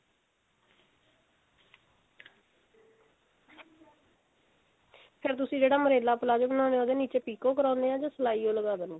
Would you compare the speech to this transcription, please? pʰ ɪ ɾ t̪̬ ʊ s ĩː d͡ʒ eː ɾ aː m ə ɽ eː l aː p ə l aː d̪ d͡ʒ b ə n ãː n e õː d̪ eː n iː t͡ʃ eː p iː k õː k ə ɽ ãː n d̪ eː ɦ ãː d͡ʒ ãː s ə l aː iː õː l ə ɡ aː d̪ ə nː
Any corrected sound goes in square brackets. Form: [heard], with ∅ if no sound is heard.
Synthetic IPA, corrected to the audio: pʰ ɪ ɾ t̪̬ ʊ s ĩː d͡ʒ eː [ɽ] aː m ə [ɾ] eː l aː p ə l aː [∅] d͡ʒ b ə n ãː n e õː d̪ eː n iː t͡ʃ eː p iː k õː k ə [ɾ] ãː n d̪ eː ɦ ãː d͡ʒ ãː s ə l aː iː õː l ə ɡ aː d̪ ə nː